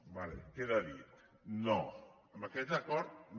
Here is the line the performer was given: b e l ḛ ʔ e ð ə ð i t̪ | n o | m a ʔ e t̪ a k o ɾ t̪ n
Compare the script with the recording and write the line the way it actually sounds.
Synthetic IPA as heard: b a l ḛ k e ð a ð i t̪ | n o | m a k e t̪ a k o ɾ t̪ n